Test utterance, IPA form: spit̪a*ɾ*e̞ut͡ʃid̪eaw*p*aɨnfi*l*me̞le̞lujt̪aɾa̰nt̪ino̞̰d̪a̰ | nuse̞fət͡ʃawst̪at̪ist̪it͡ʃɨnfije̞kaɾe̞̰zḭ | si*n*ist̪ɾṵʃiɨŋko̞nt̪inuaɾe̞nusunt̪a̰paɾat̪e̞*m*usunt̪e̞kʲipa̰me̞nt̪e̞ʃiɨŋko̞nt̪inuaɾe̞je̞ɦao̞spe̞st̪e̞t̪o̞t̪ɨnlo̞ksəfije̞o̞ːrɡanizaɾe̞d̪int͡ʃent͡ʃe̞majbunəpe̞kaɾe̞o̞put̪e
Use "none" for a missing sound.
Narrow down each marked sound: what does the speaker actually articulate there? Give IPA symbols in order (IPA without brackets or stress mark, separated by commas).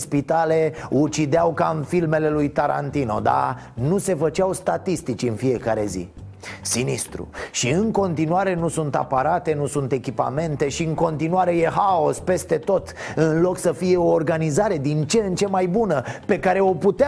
l, k, l, n, n